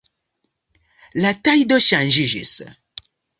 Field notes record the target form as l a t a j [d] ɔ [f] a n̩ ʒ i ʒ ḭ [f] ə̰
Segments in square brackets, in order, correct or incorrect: correct, incorrect: ʃ, incorrect: s

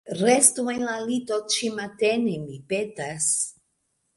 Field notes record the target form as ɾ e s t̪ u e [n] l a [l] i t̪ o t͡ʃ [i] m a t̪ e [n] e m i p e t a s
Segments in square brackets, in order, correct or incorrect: correct, correct, correct, correct

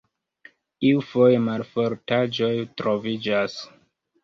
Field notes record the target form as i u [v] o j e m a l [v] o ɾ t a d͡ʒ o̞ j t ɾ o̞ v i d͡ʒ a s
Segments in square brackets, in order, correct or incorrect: incorrect: f, incorrect: f

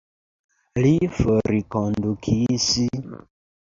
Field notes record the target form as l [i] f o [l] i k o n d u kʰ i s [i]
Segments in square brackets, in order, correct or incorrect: correct, incorrect: ɾ, correct

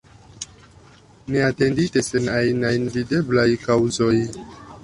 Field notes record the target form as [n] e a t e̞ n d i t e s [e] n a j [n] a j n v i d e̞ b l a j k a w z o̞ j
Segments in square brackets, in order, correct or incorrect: correct, correct, correct

